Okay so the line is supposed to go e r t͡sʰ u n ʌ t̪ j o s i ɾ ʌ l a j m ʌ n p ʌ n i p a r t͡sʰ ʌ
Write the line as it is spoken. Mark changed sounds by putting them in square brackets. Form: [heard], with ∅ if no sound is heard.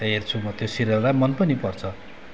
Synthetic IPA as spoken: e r t͡sʰ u [m] ʌ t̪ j o s i ɾ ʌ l a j m ʌ n p ʌ n i p [ʌ] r t͡sʰ ʌ